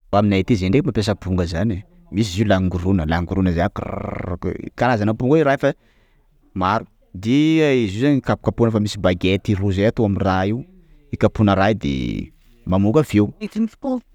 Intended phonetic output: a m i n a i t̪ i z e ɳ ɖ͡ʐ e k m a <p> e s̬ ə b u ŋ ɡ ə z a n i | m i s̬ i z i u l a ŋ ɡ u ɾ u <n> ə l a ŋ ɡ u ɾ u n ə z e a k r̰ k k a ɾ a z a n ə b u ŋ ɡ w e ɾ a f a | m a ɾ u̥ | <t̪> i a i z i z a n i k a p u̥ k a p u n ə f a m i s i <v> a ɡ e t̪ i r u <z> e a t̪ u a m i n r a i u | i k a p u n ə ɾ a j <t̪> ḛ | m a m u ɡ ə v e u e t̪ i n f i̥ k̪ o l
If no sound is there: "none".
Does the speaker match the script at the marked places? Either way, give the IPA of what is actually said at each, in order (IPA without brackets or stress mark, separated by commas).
p, n, d̪, b, z, d̪